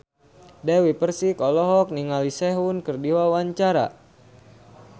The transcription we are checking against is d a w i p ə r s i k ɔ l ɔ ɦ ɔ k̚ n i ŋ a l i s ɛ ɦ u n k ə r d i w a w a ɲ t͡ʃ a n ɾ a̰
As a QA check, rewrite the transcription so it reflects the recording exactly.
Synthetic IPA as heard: d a w i p ə r s i k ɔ l ɔ ɦ ɔ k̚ n i ŋ a l i s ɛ ɦ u n k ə r d i w a w a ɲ t͡ʃ a ɾ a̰